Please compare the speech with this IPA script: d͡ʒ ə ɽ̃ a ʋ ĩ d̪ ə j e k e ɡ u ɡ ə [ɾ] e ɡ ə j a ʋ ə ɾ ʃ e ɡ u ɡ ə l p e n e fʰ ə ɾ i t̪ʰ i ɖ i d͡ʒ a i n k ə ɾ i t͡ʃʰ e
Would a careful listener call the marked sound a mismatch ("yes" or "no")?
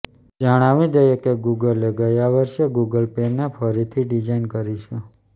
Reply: yes